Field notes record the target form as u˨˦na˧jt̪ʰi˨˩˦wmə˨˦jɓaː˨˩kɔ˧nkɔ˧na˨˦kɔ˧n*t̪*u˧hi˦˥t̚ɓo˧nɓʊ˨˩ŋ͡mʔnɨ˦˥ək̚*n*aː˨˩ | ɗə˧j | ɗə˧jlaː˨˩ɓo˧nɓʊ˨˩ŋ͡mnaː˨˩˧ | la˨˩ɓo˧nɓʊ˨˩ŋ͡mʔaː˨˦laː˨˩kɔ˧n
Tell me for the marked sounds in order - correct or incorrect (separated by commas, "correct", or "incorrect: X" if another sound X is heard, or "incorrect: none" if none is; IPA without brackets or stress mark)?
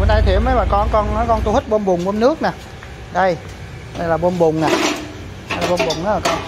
correct, correct